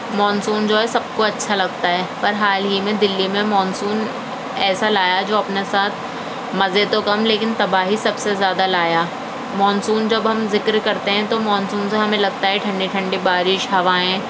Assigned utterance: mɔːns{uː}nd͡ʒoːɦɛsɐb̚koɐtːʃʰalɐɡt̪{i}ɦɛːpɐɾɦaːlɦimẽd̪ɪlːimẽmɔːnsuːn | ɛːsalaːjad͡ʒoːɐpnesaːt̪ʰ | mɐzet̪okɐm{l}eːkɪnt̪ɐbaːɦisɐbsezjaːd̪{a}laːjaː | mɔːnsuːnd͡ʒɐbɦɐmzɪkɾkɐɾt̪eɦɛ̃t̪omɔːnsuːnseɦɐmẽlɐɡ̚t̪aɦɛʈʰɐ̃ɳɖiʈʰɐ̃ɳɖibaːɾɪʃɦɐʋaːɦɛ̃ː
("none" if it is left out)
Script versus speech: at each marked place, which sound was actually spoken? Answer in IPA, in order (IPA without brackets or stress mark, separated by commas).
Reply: uː, a, l, a